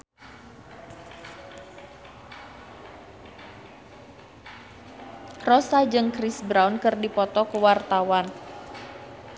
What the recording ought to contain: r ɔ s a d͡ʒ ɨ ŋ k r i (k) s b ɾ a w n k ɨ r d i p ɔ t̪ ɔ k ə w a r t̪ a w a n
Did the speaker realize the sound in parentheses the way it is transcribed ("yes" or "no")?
no